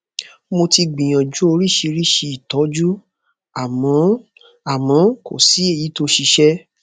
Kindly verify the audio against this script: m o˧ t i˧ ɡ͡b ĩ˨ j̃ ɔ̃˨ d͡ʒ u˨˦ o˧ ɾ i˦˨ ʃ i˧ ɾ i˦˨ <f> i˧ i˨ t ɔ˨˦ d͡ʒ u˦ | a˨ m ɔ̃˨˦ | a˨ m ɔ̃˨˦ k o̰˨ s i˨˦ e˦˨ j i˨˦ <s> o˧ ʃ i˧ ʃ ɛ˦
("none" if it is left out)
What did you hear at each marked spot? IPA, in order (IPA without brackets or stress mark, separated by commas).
ʃ, t